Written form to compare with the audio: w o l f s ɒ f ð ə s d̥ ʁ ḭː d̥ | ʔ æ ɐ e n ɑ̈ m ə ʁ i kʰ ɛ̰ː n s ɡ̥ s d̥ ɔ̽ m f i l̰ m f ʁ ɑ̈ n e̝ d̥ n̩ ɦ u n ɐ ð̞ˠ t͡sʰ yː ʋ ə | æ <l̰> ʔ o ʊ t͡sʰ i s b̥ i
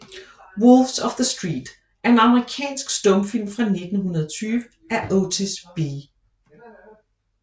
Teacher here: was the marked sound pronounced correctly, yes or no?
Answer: no